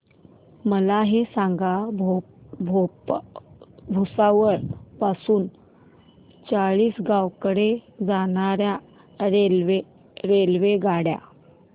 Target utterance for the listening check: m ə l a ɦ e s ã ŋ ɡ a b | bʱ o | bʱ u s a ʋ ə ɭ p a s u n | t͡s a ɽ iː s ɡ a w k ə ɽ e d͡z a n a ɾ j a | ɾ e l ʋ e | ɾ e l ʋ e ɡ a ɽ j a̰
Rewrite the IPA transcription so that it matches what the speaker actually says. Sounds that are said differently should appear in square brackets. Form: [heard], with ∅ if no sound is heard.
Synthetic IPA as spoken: m ə l a ɦ e s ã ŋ ɡ a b | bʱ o | bʱ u s a ʋ ə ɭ p a s [uː] n | t͡s a [ɭ] iː s ɡ a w k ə ɽ e d͡z a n a ɾ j a | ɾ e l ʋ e | ɾ e l ʋ e ɡ a ɽ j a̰